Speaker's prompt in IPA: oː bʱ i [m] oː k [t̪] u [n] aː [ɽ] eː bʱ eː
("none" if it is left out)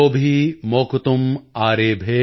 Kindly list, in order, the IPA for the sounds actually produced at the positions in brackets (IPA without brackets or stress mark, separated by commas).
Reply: m, t̪, m, ɾ